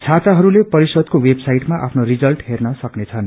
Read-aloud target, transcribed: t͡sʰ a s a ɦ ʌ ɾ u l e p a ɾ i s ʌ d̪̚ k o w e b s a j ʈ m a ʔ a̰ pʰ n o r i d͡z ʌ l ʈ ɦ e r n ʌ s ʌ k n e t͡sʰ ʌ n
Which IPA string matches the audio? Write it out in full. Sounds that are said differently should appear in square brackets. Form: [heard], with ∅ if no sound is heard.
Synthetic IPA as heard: t͡sʰ a [t͡s] a ɦ ʌ ɾ u l e p [ʌ] ɾ i s ʌ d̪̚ k o w e b s a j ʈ m a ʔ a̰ pʰ n o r i d͡z ʌ l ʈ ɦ e r n ʌ s ʌ k n e t͡sʰ ʌ n

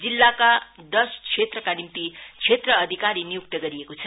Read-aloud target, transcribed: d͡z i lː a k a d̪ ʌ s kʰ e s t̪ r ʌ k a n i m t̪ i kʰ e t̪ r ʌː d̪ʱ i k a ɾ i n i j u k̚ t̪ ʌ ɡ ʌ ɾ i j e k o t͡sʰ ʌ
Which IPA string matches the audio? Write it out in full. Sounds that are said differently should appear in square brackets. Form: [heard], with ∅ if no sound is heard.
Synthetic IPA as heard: d͡z i lː a k a d̪ ʌ s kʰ e [∅] t̪ r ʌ k a n i m t̪ i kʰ e t̪ r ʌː d̪ʱ i k a ɾ i n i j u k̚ t̪ ʌ ɡ ʌ ɾ i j e k o t͡sʰ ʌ

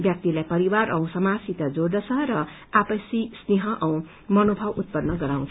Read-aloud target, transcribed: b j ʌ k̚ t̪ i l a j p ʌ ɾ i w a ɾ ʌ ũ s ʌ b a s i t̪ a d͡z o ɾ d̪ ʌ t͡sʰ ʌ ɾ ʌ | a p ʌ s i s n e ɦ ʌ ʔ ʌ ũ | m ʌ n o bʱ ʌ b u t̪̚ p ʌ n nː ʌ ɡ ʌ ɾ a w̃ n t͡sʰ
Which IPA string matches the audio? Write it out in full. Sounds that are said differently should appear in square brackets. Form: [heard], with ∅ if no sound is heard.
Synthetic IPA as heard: b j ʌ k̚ t̪ i l a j p ʌ ɾ i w a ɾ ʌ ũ s ʌ [m] a s i t̪ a d͡z o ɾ d̪ ʌ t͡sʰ ʌ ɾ ʌ | a p ʌ s i s n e ɦ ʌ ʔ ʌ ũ | m ʌ n o bʱ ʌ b u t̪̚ p ʌ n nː ʌ ɡ ʌ ɾ a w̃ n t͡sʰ

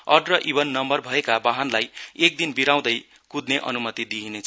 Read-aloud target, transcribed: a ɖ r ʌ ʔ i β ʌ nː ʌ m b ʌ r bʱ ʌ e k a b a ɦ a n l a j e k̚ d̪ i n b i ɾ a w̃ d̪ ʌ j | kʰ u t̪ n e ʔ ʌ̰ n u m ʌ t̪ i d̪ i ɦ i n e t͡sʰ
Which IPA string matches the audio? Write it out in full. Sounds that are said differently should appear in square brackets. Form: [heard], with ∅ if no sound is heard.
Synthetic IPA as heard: [ʌ] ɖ r ʌ ʔ i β ʌ nː ʌ m b ʌ r bʱ ʌ e k a b a ɦ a n l a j e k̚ d̪ i n b i ɾ a w̃ d̪ ʌ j | [k] u [d̪] n e ʔ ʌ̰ n u m ʌ t̪ i d̪ i ɦ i n e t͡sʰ

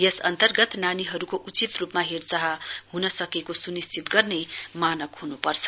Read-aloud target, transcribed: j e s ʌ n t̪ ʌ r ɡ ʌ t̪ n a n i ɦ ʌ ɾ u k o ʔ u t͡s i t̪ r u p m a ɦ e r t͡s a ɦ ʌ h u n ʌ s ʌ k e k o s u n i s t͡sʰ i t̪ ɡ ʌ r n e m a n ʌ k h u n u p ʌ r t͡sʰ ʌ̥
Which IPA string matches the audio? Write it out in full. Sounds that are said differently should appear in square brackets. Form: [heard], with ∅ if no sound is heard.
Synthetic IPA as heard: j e s ʌ n t̪ ʌ r ɡ ʌ t̪ n a n i ɦ ʌ ɾ u k o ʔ u t͡s i t̪ r u p m a ɦ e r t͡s a ɦ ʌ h u n ʌ s ʌ k e k o s u n i s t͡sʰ i t̪ ɡ ʌ r n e m a n ʌ k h u n u p ʌ r t͡sʰ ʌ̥

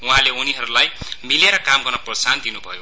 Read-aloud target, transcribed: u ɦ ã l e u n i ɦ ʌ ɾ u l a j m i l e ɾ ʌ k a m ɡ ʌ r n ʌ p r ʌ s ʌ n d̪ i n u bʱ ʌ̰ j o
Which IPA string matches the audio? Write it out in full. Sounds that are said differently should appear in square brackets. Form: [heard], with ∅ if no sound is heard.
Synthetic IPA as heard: u ɦ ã l e u n i ɦ ʌ ɾ u l a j m i l e ɾ ʌ k a m ɡ ʌ r n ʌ p r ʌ s [a] n d̪ i n u bʱ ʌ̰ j o

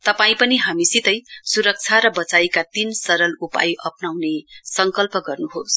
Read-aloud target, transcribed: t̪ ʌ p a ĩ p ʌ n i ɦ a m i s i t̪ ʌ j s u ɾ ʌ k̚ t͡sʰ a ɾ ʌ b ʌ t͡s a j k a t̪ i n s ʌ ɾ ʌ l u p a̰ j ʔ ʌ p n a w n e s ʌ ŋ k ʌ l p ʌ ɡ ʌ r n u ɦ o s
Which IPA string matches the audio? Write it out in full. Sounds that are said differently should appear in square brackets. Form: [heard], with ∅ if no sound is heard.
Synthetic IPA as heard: t̪ ʌ p a ĩ p ʌ n i ɦ a m i s i t̪ ʌ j s u ɾ ʌ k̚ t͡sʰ a ɾ ʌ b ʌ t͡s a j k a t̪ i n s ʌ ɾ ʌ l u p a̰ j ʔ ʌ p n a w n e s ʌ ŋ k ʌ l p ʌ ɡ ʌ r n u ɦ o s

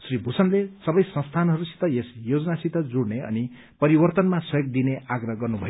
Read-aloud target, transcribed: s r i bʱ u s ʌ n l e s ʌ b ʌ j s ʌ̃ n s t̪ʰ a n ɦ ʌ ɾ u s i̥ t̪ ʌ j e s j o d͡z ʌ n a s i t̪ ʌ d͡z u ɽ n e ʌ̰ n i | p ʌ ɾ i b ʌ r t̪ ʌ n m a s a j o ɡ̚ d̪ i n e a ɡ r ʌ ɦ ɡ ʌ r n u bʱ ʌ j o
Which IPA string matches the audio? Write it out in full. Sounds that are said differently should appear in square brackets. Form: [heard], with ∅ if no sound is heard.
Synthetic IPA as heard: s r i bʱ u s ʌ n l e s ʌ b ʌ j s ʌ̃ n s t̪ʰ a n ɦ ʌ ɾ u s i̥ t̪ ʌ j e s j o d͡z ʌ n a s i t̪ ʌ d͡z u ɽ n e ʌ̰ n i | p ʌ ɾ i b ʌ r t̪ ʌ n m a s [ʌ] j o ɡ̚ d̪ i n e a ɡ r ʌ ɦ ɡ ʌ r n u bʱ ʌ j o

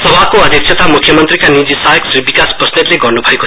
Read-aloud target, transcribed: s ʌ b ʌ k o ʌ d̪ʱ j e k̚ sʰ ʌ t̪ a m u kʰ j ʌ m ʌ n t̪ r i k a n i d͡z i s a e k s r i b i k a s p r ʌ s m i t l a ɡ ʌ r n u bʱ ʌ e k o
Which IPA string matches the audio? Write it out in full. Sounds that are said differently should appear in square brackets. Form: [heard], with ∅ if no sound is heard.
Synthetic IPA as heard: s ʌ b [a] k o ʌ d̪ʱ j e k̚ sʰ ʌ t̪ a m u kʰ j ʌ m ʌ n t̪ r i k a n i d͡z i s a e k s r i b i k a s p r ʌ s [n] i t l [e] ɡ ʌ r n u bʱ ʌ e k o

